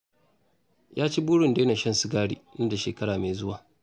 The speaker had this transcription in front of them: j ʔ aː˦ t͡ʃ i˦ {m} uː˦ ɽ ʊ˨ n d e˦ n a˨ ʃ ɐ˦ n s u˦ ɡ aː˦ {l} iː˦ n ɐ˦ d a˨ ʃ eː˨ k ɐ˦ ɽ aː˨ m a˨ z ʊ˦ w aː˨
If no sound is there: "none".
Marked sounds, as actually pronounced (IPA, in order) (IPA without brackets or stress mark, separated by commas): b, ɽ